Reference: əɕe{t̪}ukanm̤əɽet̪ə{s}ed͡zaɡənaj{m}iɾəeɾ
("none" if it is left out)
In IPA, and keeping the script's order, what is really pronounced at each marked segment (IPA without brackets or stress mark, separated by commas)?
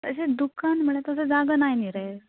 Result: d̪, s, n